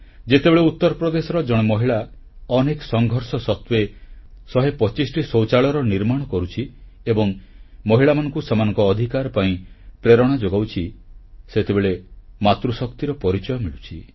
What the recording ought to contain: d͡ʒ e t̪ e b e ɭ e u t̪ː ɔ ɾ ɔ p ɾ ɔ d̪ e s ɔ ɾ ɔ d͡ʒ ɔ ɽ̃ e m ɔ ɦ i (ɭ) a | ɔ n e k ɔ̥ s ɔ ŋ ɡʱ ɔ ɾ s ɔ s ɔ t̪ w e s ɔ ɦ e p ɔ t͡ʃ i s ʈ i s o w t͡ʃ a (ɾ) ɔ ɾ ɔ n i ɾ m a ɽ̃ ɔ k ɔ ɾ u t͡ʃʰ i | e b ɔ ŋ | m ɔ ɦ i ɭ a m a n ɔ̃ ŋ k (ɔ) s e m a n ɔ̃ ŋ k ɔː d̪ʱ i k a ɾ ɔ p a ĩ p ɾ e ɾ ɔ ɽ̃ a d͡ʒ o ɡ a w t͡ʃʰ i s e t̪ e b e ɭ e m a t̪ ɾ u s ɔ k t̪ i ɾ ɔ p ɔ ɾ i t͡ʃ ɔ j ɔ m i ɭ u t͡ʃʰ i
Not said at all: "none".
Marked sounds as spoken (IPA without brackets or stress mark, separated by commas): ɭ, ɭ, u